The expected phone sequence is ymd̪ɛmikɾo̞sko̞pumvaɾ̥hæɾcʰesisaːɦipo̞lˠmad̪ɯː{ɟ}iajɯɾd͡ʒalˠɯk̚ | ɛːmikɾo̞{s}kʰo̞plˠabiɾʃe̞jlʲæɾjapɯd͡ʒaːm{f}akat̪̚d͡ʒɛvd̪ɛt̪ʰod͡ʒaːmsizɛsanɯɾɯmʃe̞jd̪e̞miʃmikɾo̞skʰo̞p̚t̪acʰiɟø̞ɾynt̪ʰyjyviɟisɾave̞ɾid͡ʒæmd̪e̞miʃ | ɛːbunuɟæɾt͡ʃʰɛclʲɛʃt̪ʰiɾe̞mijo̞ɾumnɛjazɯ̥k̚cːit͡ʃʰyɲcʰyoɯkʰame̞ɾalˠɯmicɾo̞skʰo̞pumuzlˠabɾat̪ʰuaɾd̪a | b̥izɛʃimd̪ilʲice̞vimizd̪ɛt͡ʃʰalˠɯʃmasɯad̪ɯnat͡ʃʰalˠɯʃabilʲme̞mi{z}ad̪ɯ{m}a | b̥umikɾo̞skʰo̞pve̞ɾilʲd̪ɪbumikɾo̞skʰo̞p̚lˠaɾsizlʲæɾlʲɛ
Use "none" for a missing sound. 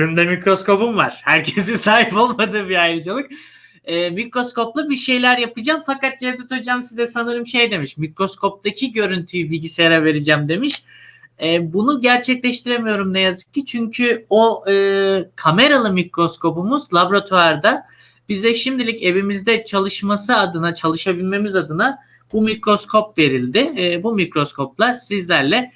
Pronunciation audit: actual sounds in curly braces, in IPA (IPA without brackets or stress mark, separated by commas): b, s, f, z, n